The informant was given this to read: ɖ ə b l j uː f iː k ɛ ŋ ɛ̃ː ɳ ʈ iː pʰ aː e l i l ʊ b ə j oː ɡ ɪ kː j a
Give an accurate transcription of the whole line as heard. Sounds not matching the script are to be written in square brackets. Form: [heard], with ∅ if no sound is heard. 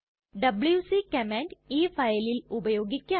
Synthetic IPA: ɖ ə b l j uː [s] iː k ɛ [m] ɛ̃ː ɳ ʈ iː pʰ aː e l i l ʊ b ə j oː ɡ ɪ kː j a